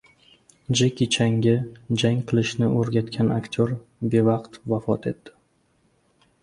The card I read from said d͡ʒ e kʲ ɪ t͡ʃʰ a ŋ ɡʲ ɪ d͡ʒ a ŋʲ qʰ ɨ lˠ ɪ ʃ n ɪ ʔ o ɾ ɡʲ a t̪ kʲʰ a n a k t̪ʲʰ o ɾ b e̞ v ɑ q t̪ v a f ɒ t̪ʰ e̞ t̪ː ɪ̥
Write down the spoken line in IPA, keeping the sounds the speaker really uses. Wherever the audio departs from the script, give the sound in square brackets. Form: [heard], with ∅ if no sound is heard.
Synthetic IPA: d͡ʒ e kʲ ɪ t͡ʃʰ a ŋ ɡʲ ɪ d͡ʒ a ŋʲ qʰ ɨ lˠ ɪ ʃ n ɪ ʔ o ɾ ɡʲ a t̪ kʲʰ a n a k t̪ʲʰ o ɾ b e̞ v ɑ q t̪ v a f ɒ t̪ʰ e̞ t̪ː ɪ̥